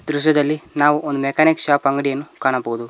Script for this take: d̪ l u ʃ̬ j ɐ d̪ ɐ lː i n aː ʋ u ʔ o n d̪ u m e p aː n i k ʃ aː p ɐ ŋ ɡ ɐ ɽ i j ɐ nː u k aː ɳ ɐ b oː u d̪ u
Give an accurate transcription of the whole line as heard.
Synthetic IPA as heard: d̪ ɾ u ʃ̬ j ɐ d̪ ɐ lː i n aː ʋ u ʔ o n d̪ u m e k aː n i k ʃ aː p ɐ ŋ ɡ ɐ ɽ i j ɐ nː u k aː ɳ ɐ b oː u d̪ u